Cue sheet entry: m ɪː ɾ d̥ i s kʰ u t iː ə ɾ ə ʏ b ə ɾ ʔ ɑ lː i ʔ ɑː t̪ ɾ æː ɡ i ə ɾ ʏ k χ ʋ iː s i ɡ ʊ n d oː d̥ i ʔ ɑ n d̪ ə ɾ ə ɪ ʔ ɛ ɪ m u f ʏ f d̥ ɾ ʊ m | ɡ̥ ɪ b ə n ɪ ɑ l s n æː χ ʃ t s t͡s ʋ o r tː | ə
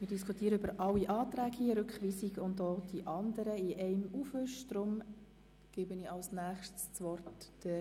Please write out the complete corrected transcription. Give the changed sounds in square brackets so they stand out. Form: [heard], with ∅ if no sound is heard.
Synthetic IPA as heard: m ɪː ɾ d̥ i s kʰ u t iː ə ɾ ə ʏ b ə ɾ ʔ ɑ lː i ʔ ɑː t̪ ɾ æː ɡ i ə ɾ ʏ k χ ʋ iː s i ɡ ʊ n d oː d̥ i ʔ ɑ n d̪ ə ɾ ə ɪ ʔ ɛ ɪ m u f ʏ [ʃ] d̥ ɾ ʊ m | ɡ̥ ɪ b ə n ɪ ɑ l s n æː χ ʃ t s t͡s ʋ [ɔ] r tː | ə

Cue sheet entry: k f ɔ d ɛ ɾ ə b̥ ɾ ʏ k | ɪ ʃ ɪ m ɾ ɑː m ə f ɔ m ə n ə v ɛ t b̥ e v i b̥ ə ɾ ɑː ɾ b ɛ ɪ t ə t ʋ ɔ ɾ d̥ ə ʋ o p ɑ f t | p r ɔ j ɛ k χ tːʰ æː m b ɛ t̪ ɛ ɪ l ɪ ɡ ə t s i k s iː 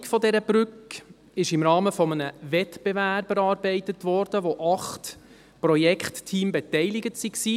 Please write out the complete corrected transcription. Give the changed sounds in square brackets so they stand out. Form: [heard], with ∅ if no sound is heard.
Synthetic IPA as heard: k f ɔ d ɛ ɾ ə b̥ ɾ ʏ k | ɪ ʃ ɪ m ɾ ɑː m ə f ɔ m ə n ə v ɛ t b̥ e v [æ] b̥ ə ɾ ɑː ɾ b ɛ ɪ t ə t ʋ ɔ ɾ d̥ ə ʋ o [ʔ] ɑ [χ] t | p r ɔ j ɛ k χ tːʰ [iː] m b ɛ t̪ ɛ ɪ l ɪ ɡ ə t s i k s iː

